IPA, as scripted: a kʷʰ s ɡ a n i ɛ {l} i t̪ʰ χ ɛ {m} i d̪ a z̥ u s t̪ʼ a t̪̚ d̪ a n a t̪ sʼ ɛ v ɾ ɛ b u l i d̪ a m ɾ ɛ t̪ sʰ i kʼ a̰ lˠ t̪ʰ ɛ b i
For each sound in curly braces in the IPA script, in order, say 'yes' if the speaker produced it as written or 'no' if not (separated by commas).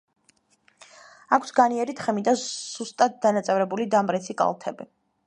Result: no, yes